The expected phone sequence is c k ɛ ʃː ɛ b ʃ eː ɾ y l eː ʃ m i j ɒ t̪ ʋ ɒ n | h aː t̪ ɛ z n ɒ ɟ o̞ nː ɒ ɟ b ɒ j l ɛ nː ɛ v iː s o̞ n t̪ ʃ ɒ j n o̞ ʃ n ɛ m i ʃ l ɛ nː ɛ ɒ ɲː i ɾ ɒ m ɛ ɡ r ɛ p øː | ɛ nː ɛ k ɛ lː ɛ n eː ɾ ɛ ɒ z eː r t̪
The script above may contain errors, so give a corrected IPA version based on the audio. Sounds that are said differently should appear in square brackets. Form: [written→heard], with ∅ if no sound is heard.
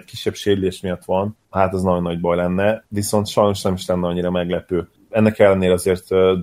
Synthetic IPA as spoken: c k [ɛ→i] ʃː ɛ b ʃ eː ɾ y l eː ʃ m i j ɒ t̪ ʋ ɒ n | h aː t̪ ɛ z n ɒ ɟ o̞ nː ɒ ɟ b ɒ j l ɛ nː ɛ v [iː→i] s o̞ n t̪ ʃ ɒ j n o̞ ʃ n ɛ m i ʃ l ɛ nː ɛ ɒ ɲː i ɾ ɒ m ɛ ɡ [r→l] ɛ p øː | ɛ nː ɛ k ɛ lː ɛ n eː ɾ ɛ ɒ z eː r t̪